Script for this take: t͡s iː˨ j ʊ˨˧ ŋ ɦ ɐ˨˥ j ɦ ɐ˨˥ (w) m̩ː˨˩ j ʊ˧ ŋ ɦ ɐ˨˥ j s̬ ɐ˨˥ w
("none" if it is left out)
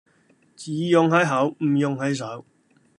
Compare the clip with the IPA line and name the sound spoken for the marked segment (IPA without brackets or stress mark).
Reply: w